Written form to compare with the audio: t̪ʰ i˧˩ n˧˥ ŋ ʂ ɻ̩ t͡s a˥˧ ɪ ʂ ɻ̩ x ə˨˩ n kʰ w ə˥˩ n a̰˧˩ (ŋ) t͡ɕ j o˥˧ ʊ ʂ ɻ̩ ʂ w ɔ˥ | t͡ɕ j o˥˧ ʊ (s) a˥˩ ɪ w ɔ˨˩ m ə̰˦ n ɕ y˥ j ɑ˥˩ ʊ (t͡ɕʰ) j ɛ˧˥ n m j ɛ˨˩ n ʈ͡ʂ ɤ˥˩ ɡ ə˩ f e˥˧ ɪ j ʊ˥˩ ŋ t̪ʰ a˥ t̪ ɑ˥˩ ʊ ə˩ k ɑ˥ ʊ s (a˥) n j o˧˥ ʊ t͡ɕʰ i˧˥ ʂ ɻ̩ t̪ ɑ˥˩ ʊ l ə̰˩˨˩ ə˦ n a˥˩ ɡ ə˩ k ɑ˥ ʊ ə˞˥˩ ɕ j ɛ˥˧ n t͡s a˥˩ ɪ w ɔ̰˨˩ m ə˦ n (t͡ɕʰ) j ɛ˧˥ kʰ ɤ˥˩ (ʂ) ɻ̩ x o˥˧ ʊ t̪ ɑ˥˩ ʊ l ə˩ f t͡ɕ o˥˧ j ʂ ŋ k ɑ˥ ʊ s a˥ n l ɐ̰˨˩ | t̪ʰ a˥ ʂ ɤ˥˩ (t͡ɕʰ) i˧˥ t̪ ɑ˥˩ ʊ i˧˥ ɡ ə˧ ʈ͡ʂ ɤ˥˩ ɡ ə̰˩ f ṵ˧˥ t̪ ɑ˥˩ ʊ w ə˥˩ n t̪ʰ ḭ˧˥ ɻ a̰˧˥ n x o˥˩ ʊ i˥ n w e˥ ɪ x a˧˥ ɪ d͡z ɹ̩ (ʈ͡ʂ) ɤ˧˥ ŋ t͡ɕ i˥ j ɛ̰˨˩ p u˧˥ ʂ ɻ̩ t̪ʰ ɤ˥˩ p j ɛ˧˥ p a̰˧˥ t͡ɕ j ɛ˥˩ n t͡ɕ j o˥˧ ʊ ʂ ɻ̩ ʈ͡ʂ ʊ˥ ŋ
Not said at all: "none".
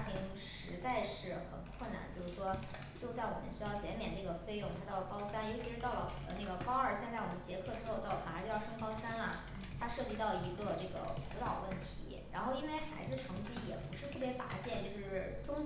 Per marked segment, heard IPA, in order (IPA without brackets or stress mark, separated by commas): n, s, t͡ɕ, a˥, t͡ɕ, ʈ͡ʂ, t͡ɕ, ʈ͡ʂʰ